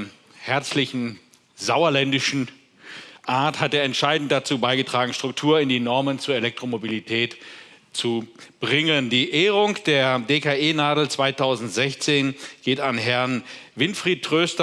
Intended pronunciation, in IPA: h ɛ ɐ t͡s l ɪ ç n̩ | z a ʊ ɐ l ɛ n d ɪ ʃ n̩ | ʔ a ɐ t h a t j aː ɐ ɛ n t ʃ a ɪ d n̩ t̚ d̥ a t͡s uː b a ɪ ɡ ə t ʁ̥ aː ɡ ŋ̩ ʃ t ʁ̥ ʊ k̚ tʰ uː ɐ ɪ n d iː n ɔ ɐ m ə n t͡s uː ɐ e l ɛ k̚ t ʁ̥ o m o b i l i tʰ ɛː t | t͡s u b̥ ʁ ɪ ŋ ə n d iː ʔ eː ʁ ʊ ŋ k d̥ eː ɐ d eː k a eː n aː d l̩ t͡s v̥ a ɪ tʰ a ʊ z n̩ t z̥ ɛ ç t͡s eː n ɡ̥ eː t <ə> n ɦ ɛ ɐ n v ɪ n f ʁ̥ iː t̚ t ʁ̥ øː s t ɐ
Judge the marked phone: incorrect: a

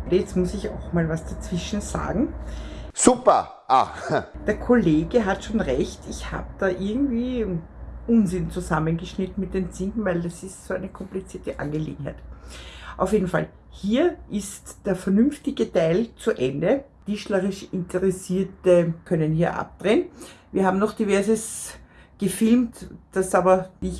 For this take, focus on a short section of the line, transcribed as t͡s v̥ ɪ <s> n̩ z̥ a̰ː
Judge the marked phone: incorrect: ʃ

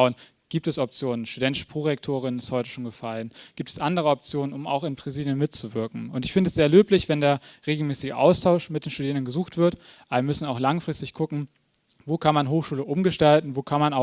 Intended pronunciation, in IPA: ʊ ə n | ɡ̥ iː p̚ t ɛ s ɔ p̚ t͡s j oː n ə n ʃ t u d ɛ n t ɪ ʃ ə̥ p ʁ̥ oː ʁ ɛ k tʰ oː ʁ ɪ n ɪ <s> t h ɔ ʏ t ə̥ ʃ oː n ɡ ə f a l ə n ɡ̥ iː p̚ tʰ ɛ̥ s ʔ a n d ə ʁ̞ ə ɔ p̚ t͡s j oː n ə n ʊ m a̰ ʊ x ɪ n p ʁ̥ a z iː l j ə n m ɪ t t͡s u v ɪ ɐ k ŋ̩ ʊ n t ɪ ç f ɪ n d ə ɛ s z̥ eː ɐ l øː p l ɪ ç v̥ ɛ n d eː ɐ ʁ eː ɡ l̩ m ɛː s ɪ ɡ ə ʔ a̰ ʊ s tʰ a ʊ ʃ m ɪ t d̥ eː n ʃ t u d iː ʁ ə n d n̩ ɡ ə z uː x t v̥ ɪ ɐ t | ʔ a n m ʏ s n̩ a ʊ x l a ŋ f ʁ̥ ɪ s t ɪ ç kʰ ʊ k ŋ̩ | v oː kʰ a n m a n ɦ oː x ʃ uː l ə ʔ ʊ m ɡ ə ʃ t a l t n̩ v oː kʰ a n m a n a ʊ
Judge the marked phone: correct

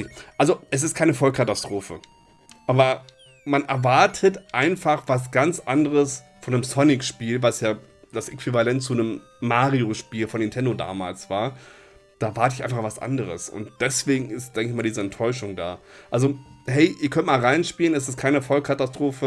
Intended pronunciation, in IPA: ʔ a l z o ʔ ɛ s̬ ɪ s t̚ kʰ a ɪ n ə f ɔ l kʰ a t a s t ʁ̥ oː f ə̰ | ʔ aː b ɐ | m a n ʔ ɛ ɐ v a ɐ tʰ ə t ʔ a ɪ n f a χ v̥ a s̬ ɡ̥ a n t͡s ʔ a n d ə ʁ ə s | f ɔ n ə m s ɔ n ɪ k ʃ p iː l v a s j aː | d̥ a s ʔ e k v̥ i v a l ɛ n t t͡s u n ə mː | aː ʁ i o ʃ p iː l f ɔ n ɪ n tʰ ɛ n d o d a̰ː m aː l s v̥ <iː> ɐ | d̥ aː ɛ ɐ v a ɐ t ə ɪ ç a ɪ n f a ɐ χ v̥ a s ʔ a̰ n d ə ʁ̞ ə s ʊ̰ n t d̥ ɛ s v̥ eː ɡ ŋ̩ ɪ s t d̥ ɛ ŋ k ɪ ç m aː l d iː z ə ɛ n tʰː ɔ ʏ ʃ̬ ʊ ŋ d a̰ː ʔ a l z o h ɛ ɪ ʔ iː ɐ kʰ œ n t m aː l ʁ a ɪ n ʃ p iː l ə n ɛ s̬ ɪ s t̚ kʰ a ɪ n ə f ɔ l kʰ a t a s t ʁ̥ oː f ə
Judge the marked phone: incorrect: aː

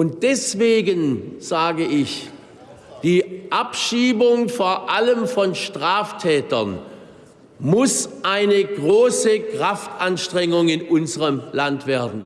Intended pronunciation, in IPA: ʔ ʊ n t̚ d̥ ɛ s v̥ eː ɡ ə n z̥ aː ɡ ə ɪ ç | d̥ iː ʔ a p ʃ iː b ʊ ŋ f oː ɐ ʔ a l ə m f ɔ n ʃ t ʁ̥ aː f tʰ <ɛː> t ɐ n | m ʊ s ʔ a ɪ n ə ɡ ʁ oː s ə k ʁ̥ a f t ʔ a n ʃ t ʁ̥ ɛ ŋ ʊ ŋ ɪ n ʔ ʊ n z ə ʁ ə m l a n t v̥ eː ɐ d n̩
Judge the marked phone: correct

